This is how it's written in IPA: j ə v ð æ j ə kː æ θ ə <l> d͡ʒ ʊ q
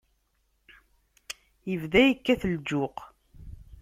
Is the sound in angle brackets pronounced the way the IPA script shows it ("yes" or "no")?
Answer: yes